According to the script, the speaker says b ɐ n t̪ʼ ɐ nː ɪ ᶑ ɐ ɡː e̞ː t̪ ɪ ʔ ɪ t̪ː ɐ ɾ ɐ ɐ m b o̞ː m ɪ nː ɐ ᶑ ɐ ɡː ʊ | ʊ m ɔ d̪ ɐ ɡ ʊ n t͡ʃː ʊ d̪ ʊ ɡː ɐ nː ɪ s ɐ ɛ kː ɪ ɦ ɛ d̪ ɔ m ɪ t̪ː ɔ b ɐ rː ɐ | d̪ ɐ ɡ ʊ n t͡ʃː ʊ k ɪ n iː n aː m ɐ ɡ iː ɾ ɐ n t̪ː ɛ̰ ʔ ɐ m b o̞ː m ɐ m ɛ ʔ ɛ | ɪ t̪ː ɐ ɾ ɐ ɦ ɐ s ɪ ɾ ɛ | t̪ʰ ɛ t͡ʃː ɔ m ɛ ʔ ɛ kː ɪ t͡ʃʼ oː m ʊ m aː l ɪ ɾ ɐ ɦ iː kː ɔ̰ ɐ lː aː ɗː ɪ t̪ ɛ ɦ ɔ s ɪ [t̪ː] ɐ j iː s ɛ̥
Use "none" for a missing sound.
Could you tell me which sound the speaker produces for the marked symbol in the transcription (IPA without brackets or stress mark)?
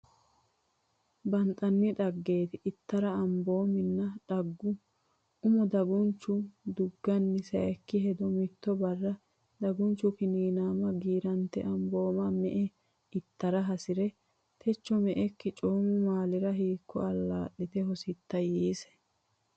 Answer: t̪ː